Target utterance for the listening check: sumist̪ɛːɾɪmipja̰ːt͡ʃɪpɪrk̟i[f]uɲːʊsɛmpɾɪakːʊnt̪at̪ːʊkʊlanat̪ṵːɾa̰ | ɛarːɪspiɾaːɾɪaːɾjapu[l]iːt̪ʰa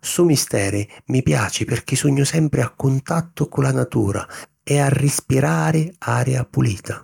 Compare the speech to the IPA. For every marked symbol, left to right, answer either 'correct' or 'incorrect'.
incorrect, correct

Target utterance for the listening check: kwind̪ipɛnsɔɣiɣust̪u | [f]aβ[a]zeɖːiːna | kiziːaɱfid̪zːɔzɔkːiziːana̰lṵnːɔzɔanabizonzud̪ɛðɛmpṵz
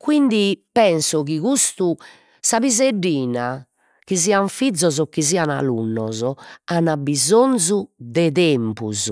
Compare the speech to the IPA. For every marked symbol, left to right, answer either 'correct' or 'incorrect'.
incorrect, incorrect

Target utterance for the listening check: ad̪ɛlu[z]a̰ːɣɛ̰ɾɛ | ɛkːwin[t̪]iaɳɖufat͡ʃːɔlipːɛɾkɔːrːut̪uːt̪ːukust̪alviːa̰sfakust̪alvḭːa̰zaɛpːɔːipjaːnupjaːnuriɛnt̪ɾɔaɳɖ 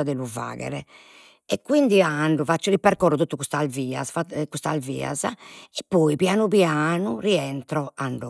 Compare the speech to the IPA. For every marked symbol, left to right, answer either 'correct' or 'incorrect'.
incorrect, incorrect

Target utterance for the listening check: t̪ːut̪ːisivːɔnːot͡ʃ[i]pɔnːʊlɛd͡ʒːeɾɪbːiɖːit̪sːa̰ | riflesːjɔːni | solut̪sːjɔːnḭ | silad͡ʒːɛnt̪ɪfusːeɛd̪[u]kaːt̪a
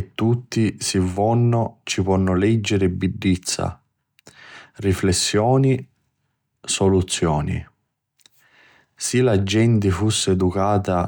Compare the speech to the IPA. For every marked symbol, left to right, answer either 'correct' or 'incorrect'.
correct, correct

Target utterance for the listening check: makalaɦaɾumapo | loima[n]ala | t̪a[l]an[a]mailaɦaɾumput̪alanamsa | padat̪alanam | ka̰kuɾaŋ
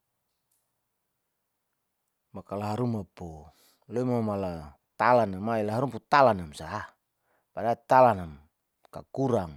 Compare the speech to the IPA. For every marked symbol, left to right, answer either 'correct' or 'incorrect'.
incorrect, correct, correct

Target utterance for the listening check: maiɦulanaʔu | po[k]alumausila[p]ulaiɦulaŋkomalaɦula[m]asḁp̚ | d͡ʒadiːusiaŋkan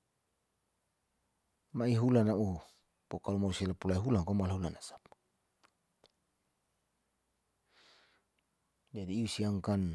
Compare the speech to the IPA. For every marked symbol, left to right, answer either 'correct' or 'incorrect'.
correct, correct, incorrect

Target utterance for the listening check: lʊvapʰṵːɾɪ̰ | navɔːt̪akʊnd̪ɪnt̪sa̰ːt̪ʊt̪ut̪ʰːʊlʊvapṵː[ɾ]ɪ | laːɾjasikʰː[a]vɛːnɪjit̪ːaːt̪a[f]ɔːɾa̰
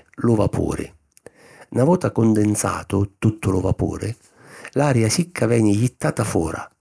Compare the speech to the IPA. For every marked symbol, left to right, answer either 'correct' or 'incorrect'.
correct, correct, correct

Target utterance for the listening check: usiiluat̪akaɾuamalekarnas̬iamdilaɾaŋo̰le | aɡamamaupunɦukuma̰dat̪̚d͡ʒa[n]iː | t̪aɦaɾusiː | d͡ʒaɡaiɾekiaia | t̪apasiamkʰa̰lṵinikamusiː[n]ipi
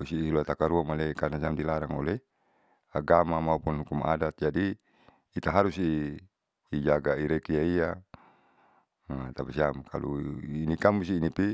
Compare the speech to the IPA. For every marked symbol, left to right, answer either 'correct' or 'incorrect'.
incorrect, correct

